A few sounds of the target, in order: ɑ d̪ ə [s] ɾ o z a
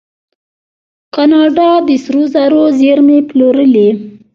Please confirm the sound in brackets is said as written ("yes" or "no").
yes